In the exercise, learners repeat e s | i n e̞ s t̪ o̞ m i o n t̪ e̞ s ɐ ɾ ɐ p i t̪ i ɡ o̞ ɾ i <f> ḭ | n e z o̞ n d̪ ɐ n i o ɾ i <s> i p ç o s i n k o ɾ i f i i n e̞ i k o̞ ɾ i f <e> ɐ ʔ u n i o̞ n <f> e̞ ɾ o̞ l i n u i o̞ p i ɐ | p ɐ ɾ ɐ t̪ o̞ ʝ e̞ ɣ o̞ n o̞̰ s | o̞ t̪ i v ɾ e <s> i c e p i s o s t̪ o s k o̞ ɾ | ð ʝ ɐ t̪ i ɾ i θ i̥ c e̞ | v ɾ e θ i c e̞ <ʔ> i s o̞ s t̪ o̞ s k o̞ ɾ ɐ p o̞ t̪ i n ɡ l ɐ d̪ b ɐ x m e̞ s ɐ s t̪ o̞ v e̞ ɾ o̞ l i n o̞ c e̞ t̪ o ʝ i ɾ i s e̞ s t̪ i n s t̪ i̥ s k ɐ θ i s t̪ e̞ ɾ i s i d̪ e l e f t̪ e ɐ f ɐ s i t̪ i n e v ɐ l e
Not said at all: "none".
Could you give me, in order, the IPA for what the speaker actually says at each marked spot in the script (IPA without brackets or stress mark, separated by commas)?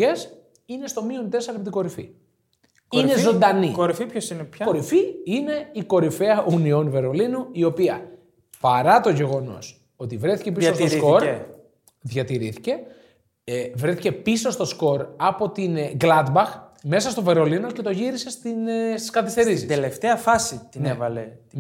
f, f, e, v, θ, p